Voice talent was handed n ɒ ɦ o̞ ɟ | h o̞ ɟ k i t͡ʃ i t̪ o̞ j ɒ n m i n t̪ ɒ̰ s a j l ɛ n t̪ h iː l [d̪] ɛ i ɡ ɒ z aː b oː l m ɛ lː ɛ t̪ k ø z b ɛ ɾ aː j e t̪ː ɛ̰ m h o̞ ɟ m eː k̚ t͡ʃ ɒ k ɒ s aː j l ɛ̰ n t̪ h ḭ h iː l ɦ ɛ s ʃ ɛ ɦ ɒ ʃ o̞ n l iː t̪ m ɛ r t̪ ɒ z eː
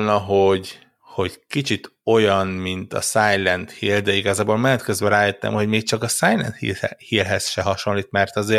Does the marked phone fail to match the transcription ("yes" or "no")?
no